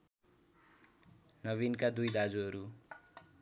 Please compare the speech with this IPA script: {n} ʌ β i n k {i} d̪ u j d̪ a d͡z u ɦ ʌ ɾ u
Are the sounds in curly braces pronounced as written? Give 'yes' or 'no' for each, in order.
yes, no

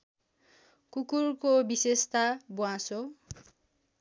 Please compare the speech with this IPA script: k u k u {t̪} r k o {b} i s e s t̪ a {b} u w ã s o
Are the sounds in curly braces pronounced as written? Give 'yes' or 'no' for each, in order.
no, yes, yes

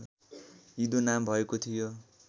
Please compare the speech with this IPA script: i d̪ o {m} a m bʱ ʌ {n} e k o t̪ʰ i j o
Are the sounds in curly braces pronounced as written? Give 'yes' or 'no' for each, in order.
no, no

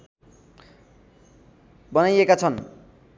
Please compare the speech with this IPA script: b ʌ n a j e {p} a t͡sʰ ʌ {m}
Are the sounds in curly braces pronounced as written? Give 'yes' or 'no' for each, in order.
no, no

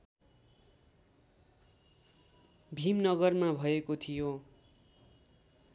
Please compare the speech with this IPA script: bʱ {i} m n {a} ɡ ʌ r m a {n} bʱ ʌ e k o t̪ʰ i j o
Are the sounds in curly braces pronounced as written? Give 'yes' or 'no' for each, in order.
yes, no, no

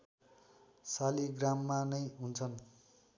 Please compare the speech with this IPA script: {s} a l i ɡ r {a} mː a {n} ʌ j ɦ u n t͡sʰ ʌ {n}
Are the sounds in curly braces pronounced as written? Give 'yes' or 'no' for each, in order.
yes, yes, yes, yes

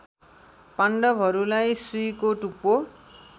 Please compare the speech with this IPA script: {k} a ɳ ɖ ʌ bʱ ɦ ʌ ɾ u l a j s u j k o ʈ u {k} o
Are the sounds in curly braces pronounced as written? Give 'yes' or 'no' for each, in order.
no, no

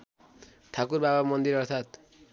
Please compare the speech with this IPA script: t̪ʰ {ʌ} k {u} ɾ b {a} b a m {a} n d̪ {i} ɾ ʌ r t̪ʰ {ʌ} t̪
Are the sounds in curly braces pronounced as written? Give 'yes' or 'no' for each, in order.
no, yes, yes, no, yes, no

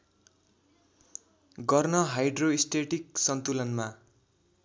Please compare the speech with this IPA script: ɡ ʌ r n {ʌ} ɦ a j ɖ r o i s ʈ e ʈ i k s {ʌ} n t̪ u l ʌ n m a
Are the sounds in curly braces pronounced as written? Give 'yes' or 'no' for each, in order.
yes, yes

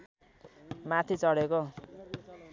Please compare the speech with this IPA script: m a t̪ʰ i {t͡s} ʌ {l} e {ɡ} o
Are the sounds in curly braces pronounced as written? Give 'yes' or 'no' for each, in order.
yes, no, no

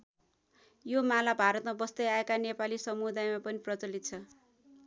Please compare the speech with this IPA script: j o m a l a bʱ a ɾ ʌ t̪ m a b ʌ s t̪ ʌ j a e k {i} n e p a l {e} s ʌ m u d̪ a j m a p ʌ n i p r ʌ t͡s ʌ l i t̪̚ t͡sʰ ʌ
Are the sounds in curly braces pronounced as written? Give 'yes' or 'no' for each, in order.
no, no

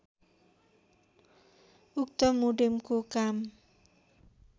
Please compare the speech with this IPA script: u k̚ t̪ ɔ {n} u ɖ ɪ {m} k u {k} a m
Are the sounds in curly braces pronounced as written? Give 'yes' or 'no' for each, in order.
no, yes, yes

